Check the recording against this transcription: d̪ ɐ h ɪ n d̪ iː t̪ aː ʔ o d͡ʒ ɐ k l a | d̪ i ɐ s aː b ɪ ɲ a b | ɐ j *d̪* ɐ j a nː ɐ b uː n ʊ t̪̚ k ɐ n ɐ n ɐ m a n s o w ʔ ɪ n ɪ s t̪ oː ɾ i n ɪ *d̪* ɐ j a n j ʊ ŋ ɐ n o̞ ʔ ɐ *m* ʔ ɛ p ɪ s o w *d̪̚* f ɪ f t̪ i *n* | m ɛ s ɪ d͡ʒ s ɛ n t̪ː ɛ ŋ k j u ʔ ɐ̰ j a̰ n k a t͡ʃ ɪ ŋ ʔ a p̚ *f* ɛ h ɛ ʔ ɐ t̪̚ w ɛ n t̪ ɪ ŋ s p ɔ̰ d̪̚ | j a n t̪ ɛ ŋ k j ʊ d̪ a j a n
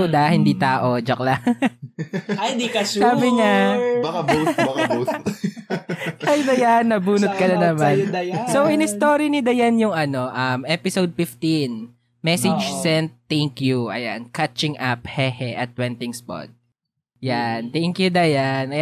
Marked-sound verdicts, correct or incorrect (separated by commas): correct, correct, correct, correct, correct, incorrect